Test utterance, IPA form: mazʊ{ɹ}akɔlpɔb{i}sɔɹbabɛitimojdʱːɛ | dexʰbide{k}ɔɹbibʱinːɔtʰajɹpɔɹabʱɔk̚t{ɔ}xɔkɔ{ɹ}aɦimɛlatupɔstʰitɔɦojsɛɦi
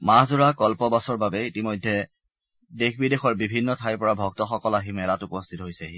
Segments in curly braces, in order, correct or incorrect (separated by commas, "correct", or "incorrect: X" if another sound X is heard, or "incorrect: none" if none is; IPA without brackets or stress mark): correct, incorrect: a, incorrect: x, correct, incorrect: l